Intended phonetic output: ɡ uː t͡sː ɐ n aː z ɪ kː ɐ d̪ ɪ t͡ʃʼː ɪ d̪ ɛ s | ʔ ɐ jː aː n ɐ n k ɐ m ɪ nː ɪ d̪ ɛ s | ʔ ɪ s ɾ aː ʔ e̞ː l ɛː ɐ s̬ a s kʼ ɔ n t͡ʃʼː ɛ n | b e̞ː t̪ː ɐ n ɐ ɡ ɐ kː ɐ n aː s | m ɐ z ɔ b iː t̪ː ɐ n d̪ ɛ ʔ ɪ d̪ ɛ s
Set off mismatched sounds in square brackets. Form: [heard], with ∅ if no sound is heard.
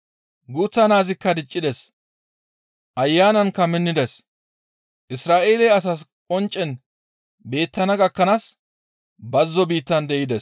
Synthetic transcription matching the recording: ɡ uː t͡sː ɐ n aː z ɪ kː ɐ d̪ ɪ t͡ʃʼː ɪ d̪ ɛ s | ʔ ɐ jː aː n ɐ n k ɐ m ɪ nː ɪ d̪ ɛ s | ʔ ɪ s ɾ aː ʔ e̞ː l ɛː ɐ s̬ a s kʼ ɔ n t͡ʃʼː ɛ n | b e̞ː t̪ː ɐ n ɐ ɡ ɐ kː ɐ n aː s | [b] ɐ [zː] ɔ b iː t̪ː ɐ n d̪ ɛ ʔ ɪ d̪ ɛ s